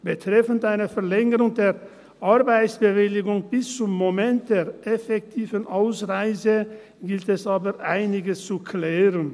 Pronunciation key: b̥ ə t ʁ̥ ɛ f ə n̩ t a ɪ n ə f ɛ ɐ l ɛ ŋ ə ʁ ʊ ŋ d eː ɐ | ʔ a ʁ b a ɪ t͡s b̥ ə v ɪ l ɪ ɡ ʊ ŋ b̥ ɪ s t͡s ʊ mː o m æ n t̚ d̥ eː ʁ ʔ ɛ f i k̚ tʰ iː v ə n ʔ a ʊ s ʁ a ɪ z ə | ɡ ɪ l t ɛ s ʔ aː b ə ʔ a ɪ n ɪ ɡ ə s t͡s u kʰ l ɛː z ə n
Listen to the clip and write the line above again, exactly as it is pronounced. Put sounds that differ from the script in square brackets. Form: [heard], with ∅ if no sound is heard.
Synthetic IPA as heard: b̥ ə t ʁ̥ ɛ f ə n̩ t a ɪ n ə f ɛ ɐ l ɛ ŋ ə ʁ ʊ ŋ d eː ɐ | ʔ a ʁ b a ɪ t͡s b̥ ə v ɪ l ɪ ɡ ʊ ŋ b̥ ɪ s t͡s ʊ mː o m [ɛ] n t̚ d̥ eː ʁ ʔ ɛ f [ɛ] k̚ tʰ iː v ə n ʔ a ʊ s ʁ a ɪ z ə | ɡ ɪ l t ɛ s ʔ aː b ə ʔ a ɪ n ɪ ɡ ə s t͡s u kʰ l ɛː [ʁ] ə n